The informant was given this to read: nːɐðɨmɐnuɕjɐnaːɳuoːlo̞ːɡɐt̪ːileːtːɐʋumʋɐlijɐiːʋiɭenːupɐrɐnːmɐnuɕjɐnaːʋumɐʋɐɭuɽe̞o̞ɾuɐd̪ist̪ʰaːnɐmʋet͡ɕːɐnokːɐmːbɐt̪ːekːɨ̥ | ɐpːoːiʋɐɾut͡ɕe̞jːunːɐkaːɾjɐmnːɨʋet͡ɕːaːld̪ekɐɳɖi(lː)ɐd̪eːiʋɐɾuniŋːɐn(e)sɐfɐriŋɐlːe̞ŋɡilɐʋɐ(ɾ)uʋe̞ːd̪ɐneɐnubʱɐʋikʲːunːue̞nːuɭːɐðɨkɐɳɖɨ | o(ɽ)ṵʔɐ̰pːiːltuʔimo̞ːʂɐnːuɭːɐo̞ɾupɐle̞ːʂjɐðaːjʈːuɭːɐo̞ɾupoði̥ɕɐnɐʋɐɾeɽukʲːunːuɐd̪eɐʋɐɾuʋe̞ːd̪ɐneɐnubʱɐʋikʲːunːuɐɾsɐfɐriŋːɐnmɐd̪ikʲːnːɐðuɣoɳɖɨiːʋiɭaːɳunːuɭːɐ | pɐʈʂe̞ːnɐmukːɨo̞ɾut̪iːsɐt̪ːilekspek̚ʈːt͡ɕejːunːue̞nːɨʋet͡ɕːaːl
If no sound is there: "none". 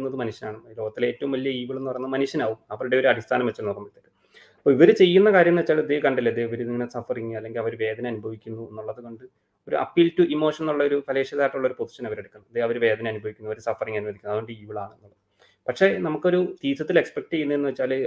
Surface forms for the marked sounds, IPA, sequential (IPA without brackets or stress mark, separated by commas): lː, e, ɾ, ɾ